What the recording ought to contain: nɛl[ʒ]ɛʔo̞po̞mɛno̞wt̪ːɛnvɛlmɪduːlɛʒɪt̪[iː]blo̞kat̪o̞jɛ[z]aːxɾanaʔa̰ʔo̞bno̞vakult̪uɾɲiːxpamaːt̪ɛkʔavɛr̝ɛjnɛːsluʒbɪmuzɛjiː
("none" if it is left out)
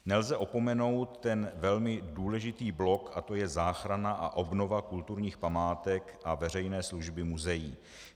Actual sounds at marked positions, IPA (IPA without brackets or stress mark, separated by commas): z, iː, z